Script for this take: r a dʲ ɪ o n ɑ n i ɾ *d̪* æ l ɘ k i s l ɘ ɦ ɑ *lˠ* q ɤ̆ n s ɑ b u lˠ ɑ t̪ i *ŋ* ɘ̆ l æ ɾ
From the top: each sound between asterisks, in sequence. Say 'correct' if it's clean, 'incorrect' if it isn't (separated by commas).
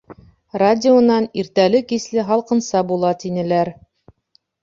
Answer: incorrect, correct, incorrect